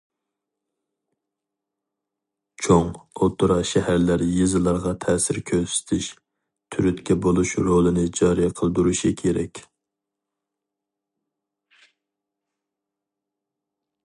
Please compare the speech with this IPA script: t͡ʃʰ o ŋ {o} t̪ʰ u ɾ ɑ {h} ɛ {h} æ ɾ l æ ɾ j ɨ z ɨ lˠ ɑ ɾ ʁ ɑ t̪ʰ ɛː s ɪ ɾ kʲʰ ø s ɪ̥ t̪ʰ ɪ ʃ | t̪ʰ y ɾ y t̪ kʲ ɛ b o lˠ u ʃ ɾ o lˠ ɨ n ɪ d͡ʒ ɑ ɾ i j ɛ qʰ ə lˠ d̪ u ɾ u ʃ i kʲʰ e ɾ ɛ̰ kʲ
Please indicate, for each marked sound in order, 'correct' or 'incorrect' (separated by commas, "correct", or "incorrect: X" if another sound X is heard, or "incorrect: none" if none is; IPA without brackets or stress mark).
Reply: correct, incorrect: ʃ, correct